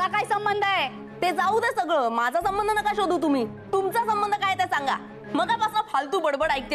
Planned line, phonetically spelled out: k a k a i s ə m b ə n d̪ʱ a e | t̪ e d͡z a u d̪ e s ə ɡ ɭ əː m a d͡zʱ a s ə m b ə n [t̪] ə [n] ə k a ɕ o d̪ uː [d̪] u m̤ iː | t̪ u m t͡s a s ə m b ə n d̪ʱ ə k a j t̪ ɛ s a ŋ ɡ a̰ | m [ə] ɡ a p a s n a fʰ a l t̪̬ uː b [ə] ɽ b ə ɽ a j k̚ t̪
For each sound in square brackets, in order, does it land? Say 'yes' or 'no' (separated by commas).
no, yes, no, yes, yes